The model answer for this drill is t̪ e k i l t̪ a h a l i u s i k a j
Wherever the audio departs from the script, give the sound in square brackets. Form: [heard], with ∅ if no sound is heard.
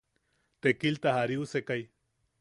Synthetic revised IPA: t̪ e k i l t̪ a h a [ɾ] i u s [e] k a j